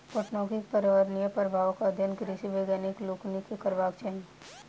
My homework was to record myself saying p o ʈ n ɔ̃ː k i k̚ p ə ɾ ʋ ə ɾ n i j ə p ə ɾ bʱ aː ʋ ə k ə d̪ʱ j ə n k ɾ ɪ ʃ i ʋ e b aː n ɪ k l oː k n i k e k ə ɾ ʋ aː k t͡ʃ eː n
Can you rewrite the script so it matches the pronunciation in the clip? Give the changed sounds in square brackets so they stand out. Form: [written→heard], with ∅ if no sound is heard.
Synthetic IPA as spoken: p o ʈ n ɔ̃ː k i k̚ p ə ɾ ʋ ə ɾ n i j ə p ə ɾ bʱ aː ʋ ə k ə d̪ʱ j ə n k ɾ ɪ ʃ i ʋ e [b→ɡ] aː n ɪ k l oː k n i k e k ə ɾ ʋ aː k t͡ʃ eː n